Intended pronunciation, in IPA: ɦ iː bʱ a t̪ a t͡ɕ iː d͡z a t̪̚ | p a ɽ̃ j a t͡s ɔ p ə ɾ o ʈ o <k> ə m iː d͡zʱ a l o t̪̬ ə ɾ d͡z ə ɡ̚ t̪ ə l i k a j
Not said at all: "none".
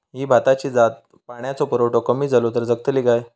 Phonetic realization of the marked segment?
k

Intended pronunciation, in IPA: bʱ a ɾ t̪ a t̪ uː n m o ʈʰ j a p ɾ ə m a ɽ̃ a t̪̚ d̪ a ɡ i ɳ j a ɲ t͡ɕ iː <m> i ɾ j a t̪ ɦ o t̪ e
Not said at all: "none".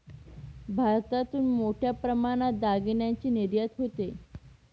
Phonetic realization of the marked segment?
n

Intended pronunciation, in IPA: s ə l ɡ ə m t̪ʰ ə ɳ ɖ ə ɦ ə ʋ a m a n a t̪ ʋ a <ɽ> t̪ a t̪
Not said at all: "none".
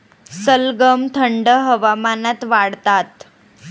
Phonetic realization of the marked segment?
ɽ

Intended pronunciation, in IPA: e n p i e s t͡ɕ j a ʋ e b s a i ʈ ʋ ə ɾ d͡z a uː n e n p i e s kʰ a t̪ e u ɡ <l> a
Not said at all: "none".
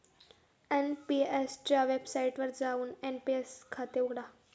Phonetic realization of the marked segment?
ɽ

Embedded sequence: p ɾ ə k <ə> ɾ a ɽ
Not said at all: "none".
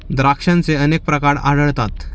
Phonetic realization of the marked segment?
a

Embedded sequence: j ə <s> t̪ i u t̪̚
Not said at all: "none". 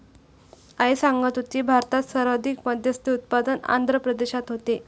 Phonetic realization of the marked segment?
s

